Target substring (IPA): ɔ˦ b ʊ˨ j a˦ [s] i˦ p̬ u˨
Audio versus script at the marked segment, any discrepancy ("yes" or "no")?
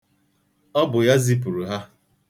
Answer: yes